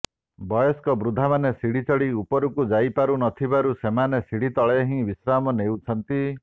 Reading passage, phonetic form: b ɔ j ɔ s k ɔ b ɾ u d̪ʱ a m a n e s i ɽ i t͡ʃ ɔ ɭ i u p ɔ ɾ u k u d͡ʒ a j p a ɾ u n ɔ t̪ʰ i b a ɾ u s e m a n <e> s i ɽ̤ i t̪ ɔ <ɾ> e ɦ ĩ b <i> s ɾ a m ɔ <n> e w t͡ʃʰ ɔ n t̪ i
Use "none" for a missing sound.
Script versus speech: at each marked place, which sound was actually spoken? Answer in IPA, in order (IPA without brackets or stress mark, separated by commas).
e, ɭ, i, n